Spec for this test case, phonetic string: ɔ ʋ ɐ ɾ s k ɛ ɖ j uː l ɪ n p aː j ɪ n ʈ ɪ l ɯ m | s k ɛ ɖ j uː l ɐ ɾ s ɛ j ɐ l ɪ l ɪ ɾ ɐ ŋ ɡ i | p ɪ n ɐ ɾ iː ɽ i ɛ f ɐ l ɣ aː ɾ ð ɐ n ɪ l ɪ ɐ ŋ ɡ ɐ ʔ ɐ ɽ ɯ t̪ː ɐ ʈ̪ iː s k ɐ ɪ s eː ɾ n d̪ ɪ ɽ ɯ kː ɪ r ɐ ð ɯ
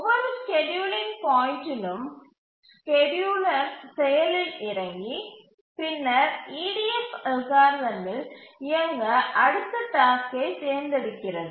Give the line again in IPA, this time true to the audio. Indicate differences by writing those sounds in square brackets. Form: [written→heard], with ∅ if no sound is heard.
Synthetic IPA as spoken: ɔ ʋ ɐ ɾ s k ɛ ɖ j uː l ɪ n p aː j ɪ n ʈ ɪ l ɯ m | s k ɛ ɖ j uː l ɐ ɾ s ɛ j ɐ l ɪ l ɪ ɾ ɐ ŋ ɡ i | p ɪ [n→nː] ɐ ɾ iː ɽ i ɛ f ɐ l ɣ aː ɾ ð ɐ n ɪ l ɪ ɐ ŋ ɡ ɐ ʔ ɐ ɽ ɯ t̪ː ɐ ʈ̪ [iː→aː] s k ɐ ɪ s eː ɾ n d̪ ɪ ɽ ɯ kː ɪ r ɐ ð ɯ